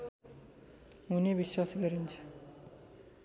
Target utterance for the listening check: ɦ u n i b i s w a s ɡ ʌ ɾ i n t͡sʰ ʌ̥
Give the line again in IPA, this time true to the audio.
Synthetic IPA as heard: ɦ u n e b i s w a s ɡ ʌ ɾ i n t͡sʰ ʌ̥